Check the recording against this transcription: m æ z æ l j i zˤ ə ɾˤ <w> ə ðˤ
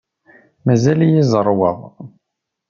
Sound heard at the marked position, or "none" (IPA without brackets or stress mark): w